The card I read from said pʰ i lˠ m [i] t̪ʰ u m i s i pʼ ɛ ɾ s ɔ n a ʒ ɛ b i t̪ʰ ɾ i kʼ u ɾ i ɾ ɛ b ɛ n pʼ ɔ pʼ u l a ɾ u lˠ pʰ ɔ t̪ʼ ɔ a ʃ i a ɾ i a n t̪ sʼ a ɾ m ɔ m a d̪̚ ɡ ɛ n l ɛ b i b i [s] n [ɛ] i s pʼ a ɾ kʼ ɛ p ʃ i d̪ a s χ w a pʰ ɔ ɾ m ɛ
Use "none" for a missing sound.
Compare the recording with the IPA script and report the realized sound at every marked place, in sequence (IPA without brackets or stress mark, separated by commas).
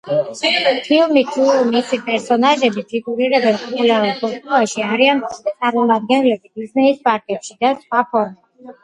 i, z, ɛ